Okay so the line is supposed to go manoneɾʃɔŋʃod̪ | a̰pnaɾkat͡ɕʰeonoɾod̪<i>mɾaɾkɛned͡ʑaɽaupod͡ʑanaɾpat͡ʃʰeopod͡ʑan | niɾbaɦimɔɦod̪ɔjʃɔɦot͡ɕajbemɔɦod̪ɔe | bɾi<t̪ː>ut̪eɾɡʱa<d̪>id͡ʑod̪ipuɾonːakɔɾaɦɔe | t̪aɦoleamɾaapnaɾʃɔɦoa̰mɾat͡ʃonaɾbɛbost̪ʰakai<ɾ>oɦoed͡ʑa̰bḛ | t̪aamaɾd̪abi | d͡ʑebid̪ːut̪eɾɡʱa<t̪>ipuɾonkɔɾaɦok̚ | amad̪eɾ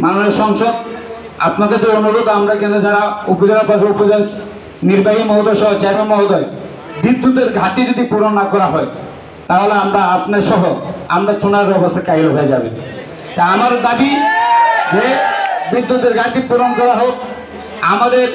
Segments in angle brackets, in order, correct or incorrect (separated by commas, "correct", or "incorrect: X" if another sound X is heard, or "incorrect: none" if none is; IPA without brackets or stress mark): incorrect: a, incorrect: d̪ː, incorrect: t̪, correct, correct